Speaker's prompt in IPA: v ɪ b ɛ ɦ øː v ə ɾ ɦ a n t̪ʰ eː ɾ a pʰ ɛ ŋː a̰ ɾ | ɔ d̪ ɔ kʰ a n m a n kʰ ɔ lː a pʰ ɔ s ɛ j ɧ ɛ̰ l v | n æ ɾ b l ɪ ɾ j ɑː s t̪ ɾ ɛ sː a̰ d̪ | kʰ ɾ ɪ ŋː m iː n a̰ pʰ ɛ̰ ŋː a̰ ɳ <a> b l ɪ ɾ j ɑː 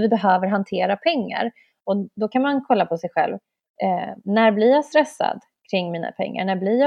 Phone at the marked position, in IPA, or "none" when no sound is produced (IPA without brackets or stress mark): æ